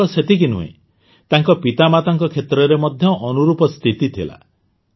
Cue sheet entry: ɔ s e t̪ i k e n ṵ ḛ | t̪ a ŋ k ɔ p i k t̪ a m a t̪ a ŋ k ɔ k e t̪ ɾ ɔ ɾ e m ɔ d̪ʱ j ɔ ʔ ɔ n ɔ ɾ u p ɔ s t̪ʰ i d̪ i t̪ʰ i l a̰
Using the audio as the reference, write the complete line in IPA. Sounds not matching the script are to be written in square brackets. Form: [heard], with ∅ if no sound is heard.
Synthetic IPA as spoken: ɔ s e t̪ i k [i] n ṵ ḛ | t̪ a ŋ k ɔ p i [∅] t̪ a m a t̪ a ŋ k ɔ [kʰ] e t̪ ɾ ɔ ɾ e m ɔ d̪ʱ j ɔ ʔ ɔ n [u] ɾ u p ɔ s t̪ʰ i [t̪] i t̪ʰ i l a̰

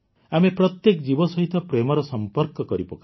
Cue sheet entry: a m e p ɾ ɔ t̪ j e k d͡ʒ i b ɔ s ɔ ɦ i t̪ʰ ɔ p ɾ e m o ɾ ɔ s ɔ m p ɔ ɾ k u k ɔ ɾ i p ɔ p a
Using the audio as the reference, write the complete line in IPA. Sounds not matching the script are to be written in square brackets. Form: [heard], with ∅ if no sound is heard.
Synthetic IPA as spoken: a m e p ɾ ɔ t̪ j e k d͡ʒ i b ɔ s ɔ ɦ i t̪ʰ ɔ p ɾ e m [ɔ] ɾ ɔ s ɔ m p ɔ ɾ k [ɔ] k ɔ ɾ i p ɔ [k] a

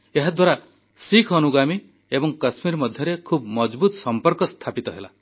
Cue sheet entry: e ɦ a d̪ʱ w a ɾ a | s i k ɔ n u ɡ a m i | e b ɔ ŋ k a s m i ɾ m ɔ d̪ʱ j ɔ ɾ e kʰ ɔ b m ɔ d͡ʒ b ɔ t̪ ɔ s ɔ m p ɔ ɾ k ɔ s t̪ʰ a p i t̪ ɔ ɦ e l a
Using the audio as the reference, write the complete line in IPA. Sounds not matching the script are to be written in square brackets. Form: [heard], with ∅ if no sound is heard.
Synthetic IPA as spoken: e ɦ a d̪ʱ w a ɾ a | s i [kʰ] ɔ n u ɡ a m i | e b ɔ ŋ k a s m i ɾ m ɔ d̪ʱ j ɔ ɾ e kʰ [u] b m ɔ d͡ʒ b [u] t̪ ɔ s ɔ m p ɔ ɾ k ɔ s t̪ʰ a p i t̪ ɔ ɦ e l a

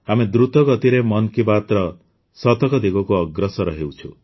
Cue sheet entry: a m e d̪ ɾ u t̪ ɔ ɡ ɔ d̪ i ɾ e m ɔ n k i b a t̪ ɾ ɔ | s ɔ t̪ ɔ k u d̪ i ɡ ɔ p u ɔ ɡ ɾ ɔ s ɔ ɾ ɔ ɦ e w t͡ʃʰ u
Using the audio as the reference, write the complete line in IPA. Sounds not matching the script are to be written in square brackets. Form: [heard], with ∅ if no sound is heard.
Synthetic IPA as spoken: a m e d̪ ɾ u t̪ ɔ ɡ ɔ [t̪] i ɾ e m ɔ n k i b a t̪ ɾ ɔ | s ɔ t̪ ɔ k [ɔ] d̪ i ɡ ɔ [k] u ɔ ɡ ɾ ɔ s ɔ ɾ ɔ ɦ e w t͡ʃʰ u

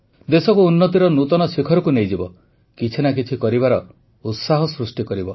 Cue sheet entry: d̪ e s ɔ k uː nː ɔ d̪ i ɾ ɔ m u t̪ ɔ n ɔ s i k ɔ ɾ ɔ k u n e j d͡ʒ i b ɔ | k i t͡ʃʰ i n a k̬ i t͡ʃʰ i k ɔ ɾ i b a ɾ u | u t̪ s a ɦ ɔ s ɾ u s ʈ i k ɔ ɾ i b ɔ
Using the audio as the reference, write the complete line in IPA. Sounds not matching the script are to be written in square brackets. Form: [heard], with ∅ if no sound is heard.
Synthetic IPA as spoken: d̪ e s ɔ k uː nː ɔ [t̪] i ɾ ɔ [n] u t̪ ɔ n ɔ s i [kʰ] ɔ ɾ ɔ k u n e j d͡ʒ i b ɔ | k i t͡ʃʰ i n a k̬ i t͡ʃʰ i k ɔ ɾ i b a ɾ [ɔ] | u t̪ s a ɦ ɔ s ɾ u s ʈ i k ɔ ɾ i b ɔ

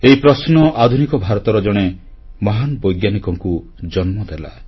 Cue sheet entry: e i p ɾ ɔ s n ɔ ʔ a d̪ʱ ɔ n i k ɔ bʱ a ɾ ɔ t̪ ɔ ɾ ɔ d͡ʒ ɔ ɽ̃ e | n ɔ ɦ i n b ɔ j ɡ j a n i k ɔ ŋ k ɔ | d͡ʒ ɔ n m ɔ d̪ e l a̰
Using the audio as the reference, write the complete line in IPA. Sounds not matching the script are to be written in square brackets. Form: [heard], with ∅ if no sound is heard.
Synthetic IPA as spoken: e i p ɾ ɔ s n ɔ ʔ a d̪ʱ [u] n i k ɔ bʱ a ɾ ɔ t̪ ɔ ɾ ɔ d͡ʒ ɔ ɽ̃ e | [m] ɔ ɦ [a] n b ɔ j ɡ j a n i k ɔ ŋ k [u] | d͡ʒ ɔ n m ɔ d̪ e l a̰

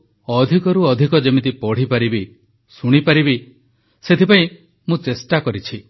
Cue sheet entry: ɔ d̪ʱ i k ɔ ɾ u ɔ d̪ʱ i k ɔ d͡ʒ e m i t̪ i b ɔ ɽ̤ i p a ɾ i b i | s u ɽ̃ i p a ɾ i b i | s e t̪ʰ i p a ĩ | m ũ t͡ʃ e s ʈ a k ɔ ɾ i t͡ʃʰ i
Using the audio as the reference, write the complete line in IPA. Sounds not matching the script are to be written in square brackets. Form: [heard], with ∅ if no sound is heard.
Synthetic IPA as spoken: ɔ d̪ʱ i k ɔ ɾ u ɔ d̪ʱ i k ɔ d͡ʒ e m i t̪ i [p] ɔ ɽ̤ i p a ɾ i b i | s u ɽ̃ i p a ɾ i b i | s e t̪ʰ i p a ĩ | m ũ t͡ʃ e s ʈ a k ɔ ɾ i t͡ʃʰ i

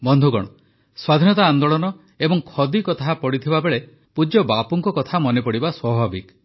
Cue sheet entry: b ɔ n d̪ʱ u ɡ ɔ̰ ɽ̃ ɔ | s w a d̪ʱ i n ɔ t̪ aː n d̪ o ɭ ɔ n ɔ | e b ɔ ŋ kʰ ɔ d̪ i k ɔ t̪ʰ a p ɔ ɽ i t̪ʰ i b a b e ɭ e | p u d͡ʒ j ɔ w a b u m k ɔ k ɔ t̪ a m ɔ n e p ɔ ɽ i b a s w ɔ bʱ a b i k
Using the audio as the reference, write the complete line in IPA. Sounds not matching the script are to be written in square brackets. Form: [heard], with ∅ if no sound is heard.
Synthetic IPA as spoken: b ɔ n d̪ʱ u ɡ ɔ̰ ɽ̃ ɔ | s w a d̪ʱ i n ɔ t̪ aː n d̪ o ɭ ɔ n ɔ | e b ɔ ŋ kʰ ɔ d̪ i k ɔ t̪ʰ a p ɔ ɽ i t̪ʰ i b a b e ɭ e | p u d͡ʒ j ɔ [b] a [p] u [ŋ] k ɔ k ɔ [t̪ʰ] a m ɔ n e p ɔ ɽ i b a s w ɔ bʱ a b i k

